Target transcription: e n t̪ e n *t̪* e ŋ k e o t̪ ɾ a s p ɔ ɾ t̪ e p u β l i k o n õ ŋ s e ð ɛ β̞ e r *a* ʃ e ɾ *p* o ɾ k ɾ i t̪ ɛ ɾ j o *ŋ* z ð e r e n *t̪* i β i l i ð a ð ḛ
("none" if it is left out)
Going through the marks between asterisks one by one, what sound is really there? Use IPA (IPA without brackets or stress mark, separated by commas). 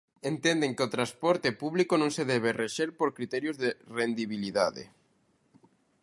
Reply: d̪, e, p, none, d̪